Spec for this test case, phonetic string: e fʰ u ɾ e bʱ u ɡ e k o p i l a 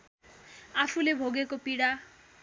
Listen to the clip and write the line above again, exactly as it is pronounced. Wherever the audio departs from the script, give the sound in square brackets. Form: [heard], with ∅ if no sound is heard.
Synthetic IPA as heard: [a] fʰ u [l] e bʱ [o] ɡ e k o p i [ɽ] a